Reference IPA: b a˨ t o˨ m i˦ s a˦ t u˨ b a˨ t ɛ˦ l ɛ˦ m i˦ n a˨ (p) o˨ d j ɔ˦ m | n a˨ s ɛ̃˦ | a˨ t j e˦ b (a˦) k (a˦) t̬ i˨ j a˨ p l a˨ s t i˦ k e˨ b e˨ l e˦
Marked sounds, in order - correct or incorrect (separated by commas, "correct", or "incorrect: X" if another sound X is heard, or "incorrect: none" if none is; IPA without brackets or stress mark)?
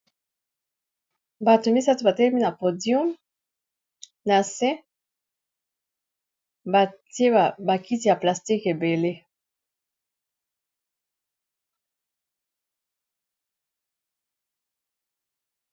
correct, incorrect: a˨, incorrect: i˦